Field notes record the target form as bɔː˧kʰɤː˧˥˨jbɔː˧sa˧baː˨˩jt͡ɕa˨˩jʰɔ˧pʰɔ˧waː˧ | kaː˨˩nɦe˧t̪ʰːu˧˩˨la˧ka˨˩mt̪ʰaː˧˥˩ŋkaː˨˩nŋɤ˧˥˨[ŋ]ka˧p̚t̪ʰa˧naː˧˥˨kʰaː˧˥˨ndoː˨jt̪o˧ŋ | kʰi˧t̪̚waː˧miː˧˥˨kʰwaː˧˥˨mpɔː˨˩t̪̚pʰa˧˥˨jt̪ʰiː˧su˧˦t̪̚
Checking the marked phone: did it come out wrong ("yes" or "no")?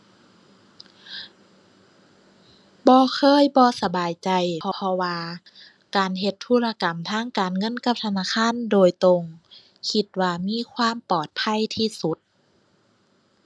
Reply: yes